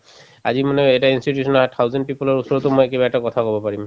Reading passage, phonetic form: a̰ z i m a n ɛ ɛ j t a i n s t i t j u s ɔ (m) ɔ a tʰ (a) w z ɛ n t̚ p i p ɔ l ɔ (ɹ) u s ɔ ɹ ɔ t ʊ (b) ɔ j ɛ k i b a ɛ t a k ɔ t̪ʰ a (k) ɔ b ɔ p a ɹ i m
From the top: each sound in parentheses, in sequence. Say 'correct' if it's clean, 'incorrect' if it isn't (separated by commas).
incorrect, correct, correct, incorrect, correct